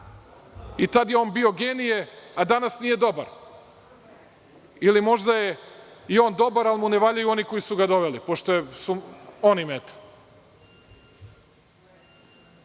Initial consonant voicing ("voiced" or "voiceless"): voiceless